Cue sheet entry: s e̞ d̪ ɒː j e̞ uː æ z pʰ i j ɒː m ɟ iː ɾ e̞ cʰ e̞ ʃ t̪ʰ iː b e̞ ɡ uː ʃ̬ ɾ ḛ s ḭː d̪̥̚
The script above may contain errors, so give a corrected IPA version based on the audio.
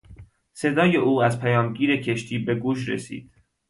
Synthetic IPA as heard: s e̞ d̪ ɒː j e̞ uː æ z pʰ æ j ɒː m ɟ iː ɾ e̞ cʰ e̞ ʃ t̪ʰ iː b e̞ ɡ uː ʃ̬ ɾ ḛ s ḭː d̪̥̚